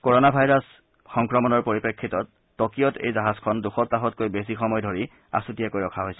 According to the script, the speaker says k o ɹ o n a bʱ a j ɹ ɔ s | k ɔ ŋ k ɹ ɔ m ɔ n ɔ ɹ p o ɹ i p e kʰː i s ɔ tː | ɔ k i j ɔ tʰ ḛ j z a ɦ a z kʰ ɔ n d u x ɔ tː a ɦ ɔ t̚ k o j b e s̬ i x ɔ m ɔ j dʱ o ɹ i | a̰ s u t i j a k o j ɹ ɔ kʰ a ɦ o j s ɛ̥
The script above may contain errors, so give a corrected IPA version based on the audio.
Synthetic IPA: k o ɹ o n a bʱ a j ɹ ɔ s | x ɔ ŋ k ɹ ɔ m ɔ n ɔ ɹ p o ɹ i p e kʰː i t ɔ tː | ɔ k i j ɔ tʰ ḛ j z a ɦ a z kʰ ɔ n d u x ɔ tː a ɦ ɔ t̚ k o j b e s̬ i x ɔ m ɔ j dʱ o ɹ i | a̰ s u t i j a k o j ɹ ɔ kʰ a ɦ o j s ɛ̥